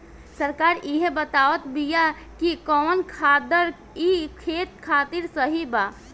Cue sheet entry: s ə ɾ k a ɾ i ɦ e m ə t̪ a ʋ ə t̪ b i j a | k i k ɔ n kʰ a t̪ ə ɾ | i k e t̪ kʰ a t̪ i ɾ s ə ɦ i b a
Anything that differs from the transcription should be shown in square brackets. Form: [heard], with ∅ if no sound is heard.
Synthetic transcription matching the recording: s ə ɾ k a ɾ i ɦ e [b] ə t̪ a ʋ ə t̪ b i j a | k i k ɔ n kʰ a [d̪] ə ɾ | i [kʰ] e t̪ kʰ a t̪ i ɾ s ə ɦ i b a

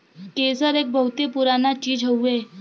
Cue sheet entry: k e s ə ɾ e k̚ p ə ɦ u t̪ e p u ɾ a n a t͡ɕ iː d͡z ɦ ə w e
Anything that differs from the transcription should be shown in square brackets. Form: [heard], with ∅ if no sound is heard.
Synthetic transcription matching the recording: k e s ə ɾ e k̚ [b] ə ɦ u t̪ e p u ɾ a n a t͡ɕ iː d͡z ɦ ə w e

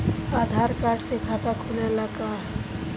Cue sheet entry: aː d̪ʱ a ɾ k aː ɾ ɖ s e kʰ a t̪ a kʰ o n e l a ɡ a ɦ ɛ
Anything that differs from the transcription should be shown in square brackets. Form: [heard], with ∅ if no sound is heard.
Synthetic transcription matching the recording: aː d̪ʱ a ɾ k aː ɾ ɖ s e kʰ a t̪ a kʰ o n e l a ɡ a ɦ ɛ

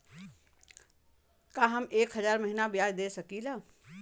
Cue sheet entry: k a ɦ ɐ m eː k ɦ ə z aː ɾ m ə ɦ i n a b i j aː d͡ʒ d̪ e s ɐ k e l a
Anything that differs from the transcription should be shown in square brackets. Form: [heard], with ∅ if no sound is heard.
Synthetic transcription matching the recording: k a ɦ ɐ m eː k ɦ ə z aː ɾ m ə ɦ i n a b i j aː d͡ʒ d̪ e s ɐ k [i] l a

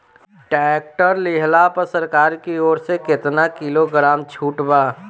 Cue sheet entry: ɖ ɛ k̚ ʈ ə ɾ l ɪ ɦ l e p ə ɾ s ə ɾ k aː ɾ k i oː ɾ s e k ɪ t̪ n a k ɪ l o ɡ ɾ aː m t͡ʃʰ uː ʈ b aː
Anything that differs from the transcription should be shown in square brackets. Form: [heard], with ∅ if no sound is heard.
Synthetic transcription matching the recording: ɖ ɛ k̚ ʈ ə ɾ l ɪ ɦ l [a] p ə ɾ s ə ɾ k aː ɾ k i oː ɾ s e k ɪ t̪ n a k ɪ l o ɡ ɾ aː m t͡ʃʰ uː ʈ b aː

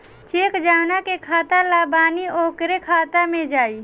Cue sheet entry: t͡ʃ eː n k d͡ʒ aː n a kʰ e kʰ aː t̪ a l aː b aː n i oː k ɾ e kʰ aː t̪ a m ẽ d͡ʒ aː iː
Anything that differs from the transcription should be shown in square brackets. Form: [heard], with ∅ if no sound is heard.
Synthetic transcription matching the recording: t͡ʃ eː [∅] k d͡ʒ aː n a [k] e kʰ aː t̪ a l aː b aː n i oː k ɾ e kʰ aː t̪ a m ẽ d͡ʒ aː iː

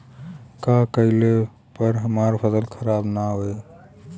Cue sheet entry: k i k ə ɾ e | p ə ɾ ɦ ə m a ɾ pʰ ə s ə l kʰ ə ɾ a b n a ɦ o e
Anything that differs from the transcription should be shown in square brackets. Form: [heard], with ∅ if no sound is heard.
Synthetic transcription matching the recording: k [a] k ə [l] e | p ə ɾ ɦ ə m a ɾ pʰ ə s ə l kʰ ə ɾ a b n a ɦ o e

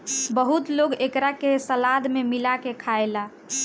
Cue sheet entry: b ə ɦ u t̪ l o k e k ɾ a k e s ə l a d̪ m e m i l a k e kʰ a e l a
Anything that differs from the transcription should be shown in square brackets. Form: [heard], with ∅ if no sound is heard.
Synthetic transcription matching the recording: b ə ɦ u t̪ l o [ɡ] e k ɾ a k e s ə l a d̪ m e m i l a k e kʰ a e l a

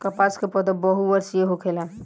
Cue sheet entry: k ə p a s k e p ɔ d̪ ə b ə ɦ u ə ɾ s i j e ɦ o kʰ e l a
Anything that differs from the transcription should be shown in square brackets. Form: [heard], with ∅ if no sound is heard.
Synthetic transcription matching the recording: k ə p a s k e p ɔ d̪ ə b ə ɦ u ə ɾ s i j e ɦ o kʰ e l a

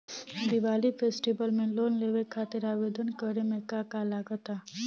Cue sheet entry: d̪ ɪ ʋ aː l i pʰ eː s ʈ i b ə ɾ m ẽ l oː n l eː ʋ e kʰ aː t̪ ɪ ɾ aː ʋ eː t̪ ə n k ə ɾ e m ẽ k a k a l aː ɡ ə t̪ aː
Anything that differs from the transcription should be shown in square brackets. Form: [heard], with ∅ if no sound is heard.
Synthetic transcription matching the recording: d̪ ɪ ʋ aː l i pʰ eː s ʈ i b ə [l] m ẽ l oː n l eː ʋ e kʰ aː t̪ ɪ ɾ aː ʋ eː [d̪] ə n k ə ɾ e m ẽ k a k a l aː ɡ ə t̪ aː

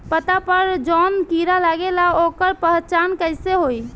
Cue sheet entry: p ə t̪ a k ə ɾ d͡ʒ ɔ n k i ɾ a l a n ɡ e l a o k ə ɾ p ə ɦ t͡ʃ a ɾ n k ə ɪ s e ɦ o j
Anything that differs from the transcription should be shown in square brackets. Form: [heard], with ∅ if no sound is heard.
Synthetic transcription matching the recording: p ə t̪ a [p] ə ɾ d͡ʒ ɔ n k i ɾ a l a [∅] ɡ e l a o k ə ɾ p ə ɦ t͡ʃ a [∅] n k ə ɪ s e ɦ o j

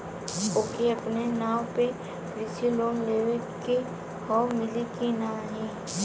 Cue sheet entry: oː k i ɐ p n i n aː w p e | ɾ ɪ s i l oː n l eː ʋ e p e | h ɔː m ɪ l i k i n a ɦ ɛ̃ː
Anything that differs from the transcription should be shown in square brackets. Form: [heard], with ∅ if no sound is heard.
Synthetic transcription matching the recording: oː k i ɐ p n [e] n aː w p e | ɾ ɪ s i l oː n l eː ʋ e [k] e | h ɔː m ɪ l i k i n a ɦ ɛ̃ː

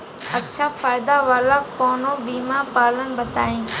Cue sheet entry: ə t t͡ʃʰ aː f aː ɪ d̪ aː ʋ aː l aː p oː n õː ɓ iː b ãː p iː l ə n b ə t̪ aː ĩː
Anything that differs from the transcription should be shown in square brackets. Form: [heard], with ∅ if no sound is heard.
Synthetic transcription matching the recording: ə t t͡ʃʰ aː f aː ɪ d̪ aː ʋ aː l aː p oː n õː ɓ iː [m] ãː p [aː] l ə n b ə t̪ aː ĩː

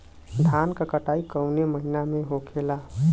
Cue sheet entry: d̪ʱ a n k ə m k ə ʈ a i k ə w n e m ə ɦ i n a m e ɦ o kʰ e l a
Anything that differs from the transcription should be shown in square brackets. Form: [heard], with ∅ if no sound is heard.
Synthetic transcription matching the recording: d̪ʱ a n k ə [∅] k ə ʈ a i k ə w n e m ə ɦ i n a m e ɦ o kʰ e l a

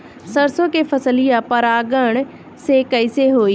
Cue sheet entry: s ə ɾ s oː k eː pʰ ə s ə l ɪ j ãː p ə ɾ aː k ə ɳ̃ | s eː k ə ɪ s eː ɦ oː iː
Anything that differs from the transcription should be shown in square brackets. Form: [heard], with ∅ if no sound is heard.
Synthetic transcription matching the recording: s ə ɾ s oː k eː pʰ ə s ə l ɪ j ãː p ə ɾ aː [ɡ] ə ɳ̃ | s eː k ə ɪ s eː ɦ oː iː

